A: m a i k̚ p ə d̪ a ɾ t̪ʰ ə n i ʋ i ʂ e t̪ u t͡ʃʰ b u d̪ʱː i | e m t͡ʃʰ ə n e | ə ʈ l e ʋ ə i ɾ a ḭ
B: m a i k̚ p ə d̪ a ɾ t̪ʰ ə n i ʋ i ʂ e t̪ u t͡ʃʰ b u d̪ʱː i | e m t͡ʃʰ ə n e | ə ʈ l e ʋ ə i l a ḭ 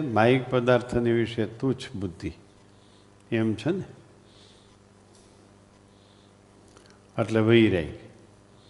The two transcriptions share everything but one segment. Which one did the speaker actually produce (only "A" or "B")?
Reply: A